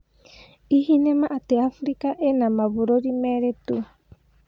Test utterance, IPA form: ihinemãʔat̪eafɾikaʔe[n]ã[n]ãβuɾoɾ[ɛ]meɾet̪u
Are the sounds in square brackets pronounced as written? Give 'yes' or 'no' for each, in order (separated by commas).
yes, no, no